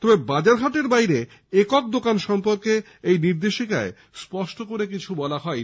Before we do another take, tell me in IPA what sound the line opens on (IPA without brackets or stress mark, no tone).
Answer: t̪